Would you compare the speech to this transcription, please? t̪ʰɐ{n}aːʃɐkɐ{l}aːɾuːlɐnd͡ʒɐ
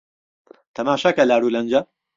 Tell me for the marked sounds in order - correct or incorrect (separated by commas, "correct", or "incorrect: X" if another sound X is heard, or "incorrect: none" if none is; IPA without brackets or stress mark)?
incorrect: m, correct